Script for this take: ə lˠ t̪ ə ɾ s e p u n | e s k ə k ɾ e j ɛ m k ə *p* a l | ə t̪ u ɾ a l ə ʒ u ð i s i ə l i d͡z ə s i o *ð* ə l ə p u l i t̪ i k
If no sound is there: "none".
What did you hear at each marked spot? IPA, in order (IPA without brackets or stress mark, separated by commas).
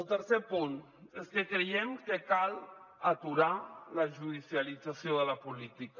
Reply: k, ð